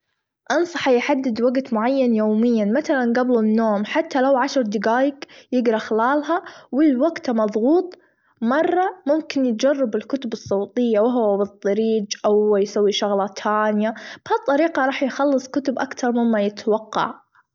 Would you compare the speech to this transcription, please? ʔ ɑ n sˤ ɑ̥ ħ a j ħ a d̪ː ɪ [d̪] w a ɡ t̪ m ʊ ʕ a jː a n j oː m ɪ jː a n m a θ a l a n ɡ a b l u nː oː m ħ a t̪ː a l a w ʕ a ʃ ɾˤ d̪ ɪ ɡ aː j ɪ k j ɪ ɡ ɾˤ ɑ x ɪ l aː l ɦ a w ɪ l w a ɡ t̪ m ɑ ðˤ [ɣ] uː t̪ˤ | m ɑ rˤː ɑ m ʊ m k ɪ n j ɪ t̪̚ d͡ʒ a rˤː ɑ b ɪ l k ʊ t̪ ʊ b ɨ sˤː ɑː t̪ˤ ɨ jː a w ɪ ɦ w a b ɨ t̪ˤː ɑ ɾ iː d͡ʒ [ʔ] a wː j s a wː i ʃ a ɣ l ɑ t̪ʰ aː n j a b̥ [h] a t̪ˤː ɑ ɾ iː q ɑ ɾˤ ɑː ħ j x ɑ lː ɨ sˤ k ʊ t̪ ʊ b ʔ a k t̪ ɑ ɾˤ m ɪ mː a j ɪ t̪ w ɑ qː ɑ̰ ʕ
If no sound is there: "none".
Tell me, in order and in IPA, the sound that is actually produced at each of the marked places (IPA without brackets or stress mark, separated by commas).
d̪, ɣ, ʔ, h